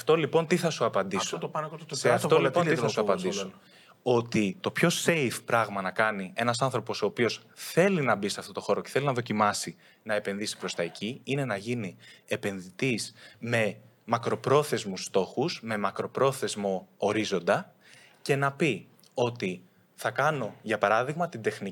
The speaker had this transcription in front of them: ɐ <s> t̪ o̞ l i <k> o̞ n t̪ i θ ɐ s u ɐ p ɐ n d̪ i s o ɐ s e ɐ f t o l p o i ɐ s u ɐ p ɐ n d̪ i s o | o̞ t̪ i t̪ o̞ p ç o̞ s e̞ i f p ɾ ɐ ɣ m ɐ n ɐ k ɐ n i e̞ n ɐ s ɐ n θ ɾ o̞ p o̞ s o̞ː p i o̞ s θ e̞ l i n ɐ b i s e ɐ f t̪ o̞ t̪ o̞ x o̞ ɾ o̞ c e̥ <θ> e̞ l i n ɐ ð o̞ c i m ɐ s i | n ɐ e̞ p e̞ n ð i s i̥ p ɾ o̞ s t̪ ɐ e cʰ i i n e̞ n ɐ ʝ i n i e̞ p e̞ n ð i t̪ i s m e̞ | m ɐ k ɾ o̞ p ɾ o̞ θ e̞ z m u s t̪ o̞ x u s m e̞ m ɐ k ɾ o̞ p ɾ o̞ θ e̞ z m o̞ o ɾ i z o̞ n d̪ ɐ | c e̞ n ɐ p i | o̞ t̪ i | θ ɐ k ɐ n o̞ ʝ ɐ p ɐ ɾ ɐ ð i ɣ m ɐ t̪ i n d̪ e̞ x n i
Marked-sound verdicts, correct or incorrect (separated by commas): incorrect, incorrect, correct